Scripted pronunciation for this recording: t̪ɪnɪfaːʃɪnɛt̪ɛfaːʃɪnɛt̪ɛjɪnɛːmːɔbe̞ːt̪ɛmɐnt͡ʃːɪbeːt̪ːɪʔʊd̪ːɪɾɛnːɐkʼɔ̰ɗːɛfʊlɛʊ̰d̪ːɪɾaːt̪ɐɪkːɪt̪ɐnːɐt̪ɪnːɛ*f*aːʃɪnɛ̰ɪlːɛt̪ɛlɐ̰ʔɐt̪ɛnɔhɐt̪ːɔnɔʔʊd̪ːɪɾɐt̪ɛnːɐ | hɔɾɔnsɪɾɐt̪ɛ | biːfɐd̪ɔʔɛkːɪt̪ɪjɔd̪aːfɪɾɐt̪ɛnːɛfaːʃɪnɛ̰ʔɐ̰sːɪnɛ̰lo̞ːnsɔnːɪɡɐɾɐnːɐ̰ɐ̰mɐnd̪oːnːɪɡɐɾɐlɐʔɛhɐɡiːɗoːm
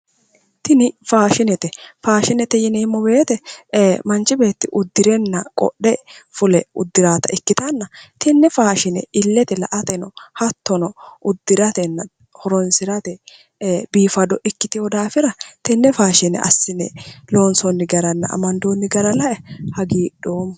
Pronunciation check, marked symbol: correct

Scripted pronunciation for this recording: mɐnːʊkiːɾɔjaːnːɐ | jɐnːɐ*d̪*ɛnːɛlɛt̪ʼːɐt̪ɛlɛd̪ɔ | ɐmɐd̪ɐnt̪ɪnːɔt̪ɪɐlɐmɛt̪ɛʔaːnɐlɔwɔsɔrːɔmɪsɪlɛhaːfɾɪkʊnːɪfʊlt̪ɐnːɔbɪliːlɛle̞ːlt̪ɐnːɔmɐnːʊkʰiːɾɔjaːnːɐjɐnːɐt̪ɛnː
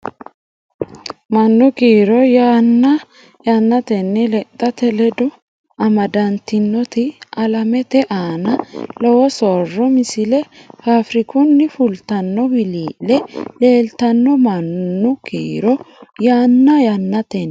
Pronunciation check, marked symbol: incorrect: t̪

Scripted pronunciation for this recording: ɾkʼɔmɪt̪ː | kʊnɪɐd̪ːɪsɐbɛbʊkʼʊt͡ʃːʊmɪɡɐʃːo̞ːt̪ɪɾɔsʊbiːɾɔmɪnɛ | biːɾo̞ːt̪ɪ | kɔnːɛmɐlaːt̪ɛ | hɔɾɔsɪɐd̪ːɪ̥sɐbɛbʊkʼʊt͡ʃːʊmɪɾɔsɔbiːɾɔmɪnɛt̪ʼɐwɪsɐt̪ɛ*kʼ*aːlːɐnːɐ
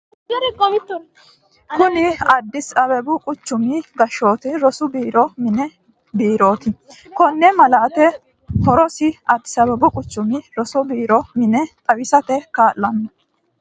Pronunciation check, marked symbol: incorrect: k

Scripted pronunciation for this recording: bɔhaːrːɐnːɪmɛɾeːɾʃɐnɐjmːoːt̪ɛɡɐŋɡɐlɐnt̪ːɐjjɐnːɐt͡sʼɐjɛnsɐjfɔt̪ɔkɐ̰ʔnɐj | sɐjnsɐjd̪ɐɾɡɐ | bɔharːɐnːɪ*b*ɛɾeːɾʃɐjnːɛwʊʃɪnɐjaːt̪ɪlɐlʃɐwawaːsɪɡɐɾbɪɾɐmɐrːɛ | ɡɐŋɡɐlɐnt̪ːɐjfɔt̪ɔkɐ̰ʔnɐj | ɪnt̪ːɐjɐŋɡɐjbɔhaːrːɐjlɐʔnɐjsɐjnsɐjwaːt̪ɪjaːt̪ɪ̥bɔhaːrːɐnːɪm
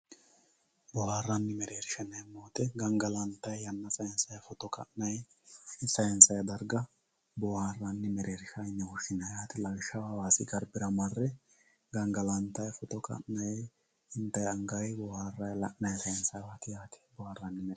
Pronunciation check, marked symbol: incorrect: m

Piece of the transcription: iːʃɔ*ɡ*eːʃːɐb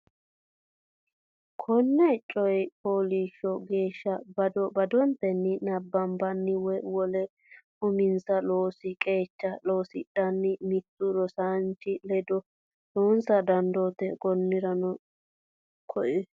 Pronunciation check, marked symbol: correct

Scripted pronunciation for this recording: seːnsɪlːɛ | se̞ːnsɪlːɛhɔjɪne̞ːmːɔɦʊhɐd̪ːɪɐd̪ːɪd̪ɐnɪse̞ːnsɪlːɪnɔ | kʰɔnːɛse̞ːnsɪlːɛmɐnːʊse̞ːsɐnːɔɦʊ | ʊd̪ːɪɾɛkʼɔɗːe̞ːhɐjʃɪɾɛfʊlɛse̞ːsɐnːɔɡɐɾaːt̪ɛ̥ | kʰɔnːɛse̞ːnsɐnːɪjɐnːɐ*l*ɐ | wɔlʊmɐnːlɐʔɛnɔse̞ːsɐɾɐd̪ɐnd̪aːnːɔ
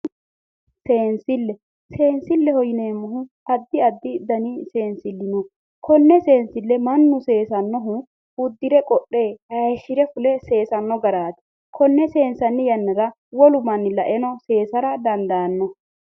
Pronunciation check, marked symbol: incorrect: ɾ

